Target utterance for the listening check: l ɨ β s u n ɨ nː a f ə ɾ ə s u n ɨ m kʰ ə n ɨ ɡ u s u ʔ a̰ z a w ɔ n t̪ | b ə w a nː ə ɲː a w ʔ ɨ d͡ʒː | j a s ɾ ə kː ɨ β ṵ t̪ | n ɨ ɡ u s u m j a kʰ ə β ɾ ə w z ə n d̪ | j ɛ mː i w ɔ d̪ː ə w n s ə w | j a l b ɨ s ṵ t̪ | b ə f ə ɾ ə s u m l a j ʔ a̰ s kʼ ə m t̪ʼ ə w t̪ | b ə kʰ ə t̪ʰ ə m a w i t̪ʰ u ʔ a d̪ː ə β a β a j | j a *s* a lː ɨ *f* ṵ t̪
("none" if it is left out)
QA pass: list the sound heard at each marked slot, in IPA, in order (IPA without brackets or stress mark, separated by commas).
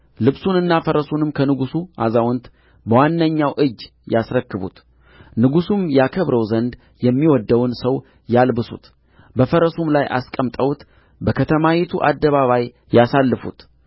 s, f